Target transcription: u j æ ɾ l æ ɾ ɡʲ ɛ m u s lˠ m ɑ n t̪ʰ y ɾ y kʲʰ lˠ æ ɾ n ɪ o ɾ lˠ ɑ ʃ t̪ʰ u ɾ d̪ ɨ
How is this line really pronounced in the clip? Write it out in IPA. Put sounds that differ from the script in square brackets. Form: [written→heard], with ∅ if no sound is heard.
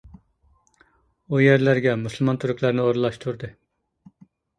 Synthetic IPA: u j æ ɾ l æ ɾ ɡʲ ɛ m u s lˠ m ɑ n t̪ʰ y ɾ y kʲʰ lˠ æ ɾ n ɪ o ɾ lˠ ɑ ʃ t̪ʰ u ɾ d̪ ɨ